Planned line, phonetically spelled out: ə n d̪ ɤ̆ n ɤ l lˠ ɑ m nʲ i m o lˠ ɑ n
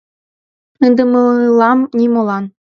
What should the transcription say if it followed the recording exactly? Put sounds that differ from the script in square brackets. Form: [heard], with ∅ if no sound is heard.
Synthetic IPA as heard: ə n d̪ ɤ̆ [m] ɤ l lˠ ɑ m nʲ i m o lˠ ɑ n